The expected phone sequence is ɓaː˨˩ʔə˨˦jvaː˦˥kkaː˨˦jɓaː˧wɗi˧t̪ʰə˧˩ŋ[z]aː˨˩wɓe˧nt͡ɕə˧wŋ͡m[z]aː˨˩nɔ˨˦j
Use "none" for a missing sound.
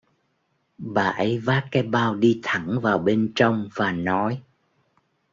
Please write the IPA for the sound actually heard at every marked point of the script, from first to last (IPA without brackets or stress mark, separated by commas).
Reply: v, v